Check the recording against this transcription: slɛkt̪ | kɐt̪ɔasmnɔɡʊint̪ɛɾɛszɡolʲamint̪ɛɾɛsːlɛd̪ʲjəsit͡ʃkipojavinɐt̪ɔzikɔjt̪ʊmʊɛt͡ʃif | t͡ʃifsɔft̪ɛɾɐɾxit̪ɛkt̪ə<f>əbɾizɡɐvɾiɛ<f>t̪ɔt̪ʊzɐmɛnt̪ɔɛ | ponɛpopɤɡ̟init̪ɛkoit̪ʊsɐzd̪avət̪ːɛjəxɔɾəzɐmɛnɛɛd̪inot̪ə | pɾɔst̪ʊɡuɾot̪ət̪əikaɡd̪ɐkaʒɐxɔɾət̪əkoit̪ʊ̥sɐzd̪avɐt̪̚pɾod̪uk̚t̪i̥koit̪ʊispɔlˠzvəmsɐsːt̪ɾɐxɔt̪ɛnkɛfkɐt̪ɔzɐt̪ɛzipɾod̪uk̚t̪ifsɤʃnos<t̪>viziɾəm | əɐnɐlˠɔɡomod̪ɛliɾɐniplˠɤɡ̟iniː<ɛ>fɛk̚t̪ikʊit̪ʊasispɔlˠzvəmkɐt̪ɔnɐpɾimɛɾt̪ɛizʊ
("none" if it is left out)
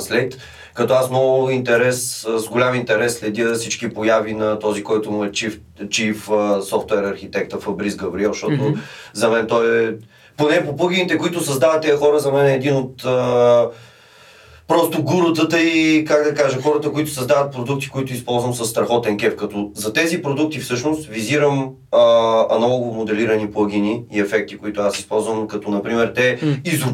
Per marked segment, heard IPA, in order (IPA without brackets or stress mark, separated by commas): f, ʃ, t̪, ɛ